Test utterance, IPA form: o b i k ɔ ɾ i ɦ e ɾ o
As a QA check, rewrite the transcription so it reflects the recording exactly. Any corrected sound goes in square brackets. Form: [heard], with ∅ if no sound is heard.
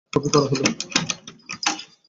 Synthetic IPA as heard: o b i k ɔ ɾ [a] ɦ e [l] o